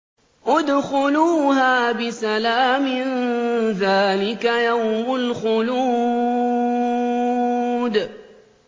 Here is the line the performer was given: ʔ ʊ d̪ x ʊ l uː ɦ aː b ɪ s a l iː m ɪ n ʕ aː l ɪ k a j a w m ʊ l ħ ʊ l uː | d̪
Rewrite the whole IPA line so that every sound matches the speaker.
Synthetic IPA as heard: ʔ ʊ d̪ x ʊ l uː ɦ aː b ɪ s a l aː m ɪ n ð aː l ɪ k a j a w m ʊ l x ʊ l uː | d̪